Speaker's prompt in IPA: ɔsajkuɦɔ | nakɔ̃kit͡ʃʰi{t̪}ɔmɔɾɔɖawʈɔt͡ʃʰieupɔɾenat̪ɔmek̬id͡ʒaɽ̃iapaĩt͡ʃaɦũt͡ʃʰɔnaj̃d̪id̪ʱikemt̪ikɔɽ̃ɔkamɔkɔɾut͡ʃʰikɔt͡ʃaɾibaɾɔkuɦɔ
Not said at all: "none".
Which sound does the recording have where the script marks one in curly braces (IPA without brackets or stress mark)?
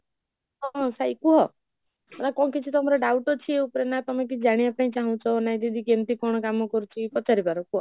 t̪